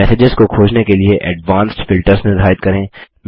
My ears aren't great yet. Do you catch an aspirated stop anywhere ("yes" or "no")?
yes